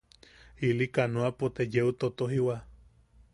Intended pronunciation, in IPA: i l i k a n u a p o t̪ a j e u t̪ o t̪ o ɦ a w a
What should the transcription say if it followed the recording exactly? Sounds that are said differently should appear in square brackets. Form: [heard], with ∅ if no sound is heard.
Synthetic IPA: i l i k a n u a p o t̪ [e] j e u t̪ o t̪ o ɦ [i] w a